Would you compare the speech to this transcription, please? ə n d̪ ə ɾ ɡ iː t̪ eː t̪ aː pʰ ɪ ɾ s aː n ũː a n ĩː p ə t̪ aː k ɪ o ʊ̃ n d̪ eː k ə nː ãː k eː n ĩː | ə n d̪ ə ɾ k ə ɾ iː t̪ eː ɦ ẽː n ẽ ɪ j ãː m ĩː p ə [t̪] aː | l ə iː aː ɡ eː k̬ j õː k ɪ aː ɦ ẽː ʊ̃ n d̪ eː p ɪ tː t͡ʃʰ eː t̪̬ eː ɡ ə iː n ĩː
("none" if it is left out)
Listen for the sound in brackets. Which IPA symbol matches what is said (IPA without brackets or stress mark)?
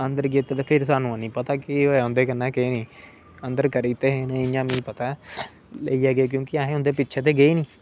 t̪